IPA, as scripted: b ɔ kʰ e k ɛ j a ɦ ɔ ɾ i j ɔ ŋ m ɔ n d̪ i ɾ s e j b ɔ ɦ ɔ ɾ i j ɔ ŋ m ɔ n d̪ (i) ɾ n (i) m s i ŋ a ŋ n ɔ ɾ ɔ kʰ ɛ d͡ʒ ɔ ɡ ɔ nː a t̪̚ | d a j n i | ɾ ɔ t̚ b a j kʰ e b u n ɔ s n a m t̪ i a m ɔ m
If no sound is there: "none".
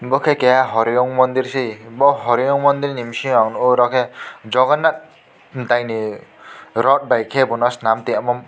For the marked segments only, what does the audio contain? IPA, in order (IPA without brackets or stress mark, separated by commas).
i, i